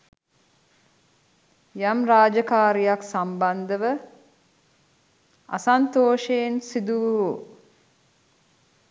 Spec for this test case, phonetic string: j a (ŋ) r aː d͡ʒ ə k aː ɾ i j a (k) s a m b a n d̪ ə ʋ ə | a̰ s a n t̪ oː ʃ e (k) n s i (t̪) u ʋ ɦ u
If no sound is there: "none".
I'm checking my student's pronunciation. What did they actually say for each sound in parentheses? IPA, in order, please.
m, k, none, d̪

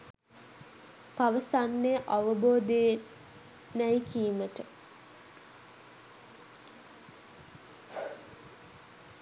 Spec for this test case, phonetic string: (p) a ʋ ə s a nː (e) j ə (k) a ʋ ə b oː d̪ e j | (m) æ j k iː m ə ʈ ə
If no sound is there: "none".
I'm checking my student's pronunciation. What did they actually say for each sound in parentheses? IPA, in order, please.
p, e, ʔ, n

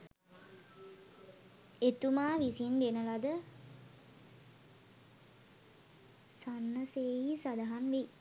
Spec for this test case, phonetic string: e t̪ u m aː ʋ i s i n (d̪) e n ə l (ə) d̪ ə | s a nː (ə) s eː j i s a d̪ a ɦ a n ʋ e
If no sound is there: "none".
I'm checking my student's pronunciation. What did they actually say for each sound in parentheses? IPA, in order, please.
d̪, a, ə

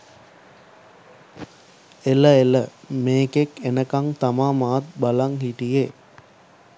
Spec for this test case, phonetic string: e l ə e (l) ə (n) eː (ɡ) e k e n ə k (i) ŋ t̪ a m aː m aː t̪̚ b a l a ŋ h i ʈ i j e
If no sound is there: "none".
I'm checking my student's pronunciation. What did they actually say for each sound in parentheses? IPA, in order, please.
l, m, k, a

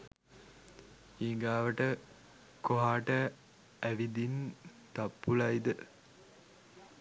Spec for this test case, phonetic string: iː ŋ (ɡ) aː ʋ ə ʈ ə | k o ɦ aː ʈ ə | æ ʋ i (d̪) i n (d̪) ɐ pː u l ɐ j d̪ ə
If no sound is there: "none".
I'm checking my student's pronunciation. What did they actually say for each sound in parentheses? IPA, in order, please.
ɡ, d̪, t̪

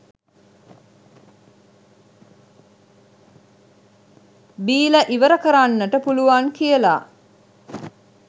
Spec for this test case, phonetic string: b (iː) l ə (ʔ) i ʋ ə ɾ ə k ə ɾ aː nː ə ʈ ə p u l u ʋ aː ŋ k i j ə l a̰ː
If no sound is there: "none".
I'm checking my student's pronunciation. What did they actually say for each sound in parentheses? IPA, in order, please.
iː, ʔ

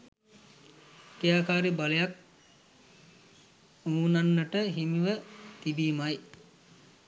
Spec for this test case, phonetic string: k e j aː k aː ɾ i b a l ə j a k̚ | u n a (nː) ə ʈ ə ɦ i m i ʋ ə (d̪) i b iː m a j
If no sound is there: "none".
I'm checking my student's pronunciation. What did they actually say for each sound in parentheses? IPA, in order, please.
nː, t̪

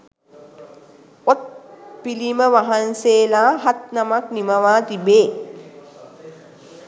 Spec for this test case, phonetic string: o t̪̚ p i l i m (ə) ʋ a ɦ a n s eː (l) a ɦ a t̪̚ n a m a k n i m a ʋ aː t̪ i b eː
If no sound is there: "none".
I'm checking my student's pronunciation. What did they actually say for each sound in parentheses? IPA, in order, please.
ə, l

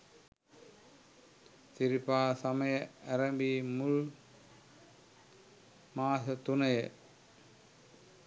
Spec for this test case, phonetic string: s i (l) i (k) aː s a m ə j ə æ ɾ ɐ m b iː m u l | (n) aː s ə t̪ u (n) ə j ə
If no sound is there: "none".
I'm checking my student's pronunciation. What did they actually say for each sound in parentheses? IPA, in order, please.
ɾ, p, m, n

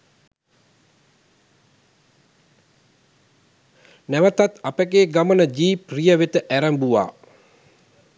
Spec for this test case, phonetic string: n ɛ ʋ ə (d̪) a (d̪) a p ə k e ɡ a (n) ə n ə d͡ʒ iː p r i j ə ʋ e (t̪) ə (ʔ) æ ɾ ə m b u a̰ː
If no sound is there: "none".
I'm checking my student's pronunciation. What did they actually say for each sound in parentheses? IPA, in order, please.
t̪, t̪, m, t̪, ʔ

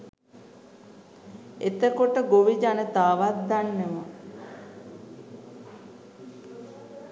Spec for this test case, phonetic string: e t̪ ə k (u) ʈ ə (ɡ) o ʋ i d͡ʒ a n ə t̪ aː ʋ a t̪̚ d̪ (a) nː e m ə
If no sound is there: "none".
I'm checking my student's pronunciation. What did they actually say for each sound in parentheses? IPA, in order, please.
o, ɡ, a

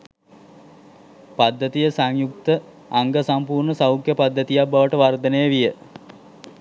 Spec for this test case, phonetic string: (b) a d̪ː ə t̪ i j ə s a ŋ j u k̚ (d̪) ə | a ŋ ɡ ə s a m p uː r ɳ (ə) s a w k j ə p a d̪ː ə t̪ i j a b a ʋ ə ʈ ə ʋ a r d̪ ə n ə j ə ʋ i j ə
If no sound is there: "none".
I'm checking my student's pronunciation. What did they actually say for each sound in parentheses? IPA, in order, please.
p, t̪, ə

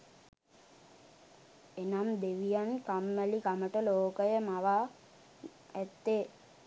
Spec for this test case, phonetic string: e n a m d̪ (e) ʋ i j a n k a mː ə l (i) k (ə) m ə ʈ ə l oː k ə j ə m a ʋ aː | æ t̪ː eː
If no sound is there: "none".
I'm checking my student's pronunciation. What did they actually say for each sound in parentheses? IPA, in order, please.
e, i, a

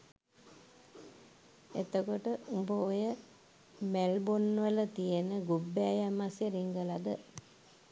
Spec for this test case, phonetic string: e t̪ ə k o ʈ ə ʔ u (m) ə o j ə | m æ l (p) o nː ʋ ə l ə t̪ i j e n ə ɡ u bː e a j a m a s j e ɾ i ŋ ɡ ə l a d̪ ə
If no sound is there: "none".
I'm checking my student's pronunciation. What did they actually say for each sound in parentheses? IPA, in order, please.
b, b

